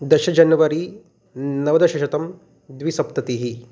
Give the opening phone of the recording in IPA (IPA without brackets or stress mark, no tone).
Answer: d̪